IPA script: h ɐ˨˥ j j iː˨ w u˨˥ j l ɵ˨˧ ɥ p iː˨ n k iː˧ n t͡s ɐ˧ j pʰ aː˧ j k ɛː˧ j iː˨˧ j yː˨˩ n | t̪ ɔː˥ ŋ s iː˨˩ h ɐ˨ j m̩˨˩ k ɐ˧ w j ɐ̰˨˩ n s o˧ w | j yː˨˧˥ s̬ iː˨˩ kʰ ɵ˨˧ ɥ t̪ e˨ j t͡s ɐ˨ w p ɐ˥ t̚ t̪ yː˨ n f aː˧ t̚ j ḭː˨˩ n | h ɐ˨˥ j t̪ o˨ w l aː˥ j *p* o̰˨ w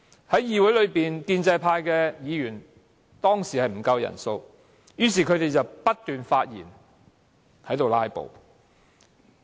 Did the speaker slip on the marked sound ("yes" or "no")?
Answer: no